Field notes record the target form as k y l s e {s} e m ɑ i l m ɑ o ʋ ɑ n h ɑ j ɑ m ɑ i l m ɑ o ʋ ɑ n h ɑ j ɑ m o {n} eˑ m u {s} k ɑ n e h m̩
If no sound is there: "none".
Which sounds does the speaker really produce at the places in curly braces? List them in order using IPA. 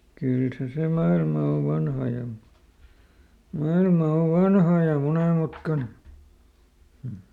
s, n, t

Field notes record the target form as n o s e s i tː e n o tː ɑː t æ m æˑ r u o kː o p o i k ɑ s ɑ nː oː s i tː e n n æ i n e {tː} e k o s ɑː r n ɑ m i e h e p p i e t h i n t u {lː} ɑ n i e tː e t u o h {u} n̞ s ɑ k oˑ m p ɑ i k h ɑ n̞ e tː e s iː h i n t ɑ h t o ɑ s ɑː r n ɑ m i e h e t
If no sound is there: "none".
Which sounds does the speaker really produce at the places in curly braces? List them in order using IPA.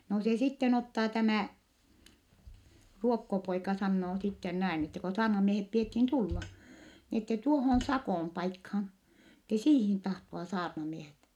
tː, lː, o

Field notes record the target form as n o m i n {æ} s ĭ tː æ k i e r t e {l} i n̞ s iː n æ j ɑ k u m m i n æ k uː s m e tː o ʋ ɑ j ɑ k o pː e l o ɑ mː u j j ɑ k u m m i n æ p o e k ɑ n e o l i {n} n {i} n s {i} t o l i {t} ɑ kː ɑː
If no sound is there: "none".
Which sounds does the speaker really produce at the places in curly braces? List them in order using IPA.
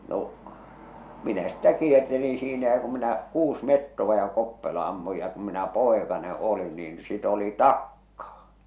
æ, l, n, iː, i, t

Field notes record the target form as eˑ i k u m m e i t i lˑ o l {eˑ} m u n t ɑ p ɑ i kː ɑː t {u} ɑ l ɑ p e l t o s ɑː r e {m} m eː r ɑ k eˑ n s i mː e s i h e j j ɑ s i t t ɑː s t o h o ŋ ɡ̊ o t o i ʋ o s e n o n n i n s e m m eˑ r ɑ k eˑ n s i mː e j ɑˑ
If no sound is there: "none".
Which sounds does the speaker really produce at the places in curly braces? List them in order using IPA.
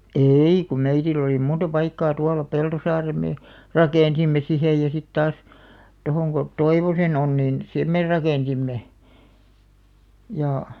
iˑ, u, m

